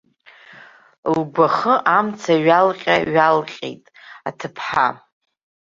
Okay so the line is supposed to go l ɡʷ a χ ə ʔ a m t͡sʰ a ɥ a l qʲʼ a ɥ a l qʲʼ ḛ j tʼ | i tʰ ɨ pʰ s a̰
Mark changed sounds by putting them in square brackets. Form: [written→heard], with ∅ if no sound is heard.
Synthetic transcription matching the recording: l ɡʷ a χ ə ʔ a m t͡sʰ a ɥ a l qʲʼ a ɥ a l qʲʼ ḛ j tʼ | [i→a] tʰ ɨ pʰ [s→ħ] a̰